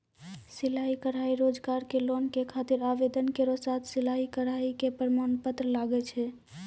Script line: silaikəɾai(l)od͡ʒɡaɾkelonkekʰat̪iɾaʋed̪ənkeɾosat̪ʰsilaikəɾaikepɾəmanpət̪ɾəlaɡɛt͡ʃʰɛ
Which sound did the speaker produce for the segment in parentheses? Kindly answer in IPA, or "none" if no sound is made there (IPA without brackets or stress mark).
ɾ